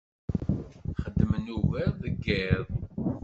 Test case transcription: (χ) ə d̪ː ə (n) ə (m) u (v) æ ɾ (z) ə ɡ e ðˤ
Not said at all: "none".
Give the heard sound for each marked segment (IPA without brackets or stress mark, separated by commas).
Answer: χ, m, n, v, ð